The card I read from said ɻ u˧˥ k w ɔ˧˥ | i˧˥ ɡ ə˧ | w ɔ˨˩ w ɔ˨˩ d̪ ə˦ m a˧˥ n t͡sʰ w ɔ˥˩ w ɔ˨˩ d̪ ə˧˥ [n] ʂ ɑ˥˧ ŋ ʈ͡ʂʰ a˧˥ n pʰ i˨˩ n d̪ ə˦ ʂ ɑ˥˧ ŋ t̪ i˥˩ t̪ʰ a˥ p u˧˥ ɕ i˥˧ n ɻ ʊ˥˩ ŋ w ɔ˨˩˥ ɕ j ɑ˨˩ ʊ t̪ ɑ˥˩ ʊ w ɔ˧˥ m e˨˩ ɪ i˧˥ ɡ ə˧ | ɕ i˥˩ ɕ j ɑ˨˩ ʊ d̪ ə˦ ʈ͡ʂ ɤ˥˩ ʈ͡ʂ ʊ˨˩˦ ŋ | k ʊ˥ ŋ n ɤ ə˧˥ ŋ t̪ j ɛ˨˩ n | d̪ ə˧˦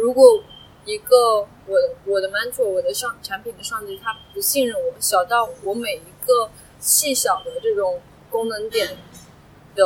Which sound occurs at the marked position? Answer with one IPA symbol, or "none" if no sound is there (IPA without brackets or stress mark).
none